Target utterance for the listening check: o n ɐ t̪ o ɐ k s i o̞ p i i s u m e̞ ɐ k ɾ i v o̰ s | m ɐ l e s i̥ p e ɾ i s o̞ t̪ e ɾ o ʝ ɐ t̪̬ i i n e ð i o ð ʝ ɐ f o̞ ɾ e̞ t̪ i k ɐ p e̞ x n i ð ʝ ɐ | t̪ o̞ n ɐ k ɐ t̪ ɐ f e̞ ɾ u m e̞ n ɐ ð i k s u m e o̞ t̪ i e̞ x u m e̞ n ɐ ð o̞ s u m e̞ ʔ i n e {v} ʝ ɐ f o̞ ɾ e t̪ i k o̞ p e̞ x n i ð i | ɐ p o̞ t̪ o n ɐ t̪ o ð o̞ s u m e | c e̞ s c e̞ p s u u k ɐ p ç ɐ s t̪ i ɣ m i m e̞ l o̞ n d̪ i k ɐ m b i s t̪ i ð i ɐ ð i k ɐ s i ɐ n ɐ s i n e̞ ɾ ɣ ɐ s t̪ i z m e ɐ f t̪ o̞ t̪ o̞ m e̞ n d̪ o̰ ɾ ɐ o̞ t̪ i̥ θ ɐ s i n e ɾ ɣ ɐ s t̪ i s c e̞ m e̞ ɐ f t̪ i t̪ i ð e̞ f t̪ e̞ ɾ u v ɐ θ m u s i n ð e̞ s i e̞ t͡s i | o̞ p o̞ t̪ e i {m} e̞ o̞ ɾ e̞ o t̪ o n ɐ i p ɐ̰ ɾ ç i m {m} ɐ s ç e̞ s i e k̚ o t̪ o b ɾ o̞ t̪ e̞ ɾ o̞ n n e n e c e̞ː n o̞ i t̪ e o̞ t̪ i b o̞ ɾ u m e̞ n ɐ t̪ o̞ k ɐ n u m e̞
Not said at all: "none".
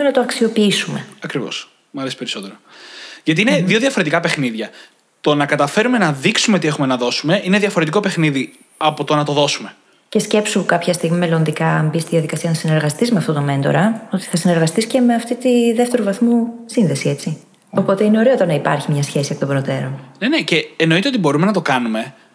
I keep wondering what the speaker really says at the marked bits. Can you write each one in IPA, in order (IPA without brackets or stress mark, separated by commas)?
ð, n, ɲ